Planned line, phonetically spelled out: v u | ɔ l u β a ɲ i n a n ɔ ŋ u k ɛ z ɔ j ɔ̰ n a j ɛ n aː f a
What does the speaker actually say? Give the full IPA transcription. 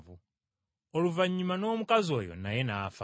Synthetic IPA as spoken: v u | ɔ l u v a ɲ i m a n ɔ m u k a z ɔ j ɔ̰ n a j ɛ n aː f a